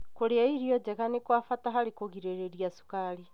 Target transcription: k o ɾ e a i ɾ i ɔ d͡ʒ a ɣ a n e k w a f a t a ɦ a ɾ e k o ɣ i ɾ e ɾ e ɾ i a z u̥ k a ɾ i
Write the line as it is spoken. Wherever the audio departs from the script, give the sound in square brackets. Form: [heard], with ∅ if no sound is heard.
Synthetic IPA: k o ɾ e a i ɾ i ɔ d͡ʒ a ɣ a n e k w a f a t a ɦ a ɾ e k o ɣ i ɾ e ɾ e ɾ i a [s] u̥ k a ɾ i